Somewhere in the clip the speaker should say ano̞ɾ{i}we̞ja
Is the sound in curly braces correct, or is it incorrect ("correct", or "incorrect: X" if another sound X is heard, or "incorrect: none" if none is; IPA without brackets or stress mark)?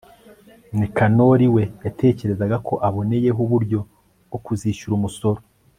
correct